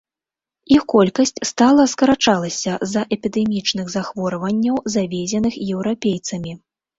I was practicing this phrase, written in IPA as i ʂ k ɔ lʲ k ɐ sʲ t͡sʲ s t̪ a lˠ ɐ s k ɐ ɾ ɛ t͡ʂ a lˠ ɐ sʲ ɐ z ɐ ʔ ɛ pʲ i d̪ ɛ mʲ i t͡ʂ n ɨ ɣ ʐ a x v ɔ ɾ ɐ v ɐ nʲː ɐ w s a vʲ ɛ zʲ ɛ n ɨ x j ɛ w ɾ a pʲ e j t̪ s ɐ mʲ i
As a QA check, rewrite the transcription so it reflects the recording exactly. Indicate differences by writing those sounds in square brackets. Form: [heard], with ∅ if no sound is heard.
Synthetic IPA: i [x] k ɔ lʲ k ɐ sʲ t͡sʲ s t̪ a lˠ ɐ s k ɐ ɾ [a] t͡ʂ a lˠ ɐ sʲ ɐ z ɐ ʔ ɛ pʲ i d̪ ɛ mʲ i t͡ʂ n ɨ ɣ [z] a x v ɔ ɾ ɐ v ɐ nʲː ɐ w [z] a vʲ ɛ zʲ ɛ n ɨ x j ɛ w ɾ a pʲ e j t̪ s ɐ mʲ i